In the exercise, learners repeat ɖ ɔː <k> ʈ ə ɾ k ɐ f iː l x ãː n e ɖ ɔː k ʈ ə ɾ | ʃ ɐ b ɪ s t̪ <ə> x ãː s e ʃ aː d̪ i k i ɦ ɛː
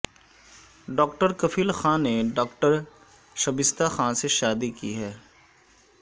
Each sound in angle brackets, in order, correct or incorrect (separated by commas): correct, incorrect